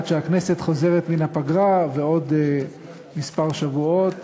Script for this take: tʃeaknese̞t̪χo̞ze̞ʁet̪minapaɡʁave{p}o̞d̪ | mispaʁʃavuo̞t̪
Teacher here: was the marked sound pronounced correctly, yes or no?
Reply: no